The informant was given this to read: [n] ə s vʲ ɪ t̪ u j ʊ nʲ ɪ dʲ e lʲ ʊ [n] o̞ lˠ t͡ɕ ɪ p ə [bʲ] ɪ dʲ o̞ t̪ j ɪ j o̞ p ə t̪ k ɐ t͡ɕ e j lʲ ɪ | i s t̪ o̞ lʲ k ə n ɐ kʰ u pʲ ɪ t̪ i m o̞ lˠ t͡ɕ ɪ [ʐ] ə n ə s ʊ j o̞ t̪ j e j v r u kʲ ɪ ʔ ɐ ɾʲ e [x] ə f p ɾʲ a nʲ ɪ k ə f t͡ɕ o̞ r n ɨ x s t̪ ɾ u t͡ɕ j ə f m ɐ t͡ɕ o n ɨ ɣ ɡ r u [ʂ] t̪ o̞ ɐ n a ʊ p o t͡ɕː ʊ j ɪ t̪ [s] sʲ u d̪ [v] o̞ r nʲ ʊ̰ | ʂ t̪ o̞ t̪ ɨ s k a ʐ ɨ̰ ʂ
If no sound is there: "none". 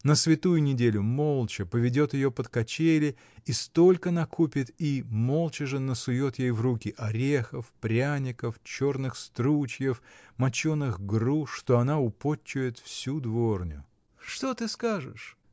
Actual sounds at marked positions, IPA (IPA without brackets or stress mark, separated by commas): n, m, vʲ, ʐ, x, ʂ, f, v